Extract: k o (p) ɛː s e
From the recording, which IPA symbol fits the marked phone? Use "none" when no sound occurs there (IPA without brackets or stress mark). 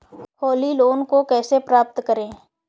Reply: k